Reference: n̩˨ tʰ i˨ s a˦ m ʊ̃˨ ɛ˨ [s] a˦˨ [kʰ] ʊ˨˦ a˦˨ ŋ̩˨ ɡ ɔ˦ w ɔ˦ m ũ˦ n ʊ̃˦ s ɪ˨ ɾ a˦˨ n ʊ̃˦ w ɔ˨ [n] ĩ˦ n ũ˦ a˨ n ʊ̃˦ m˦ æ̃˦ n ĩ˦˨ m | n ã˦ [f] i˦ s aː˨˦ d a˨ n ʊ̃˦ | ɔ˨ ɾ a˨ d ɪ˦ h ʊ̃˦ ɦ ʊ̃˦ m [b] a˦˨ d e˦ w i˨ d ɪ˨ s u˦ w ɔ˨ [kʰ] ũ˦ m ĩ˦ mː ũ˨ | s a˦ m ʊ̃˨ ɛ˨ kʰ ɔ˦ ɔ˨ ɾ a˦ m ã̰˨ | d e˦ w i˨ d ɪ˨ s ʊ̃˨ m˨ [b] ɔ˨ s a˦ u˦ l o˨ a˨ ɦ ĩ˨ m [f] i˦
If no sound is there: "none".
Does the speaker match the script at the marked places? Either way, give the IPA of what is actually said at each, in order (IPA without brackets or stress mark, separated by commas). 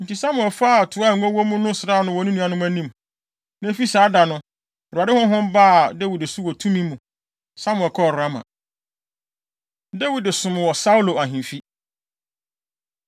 f, tʰ, n, f, b, tʰ, w, f